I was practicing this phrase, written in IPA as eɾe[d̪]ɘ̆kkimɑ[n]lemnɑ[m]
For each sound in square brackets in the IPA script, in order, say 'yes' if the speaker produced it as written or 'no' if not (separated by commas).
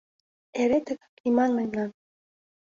no, yes, no